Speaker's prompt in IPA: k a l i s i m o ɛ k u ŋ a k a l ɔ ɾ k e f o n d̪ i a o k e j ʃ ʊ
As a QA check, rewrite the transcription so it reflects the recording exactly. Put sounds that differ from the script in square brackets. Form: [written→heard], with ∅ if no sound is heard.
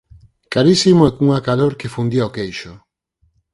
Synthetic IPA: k a [l→ɾ] i s i m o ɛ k u ŋ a k a l [ɔ→o] ɾ k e f [o→u] n d̪ i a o k e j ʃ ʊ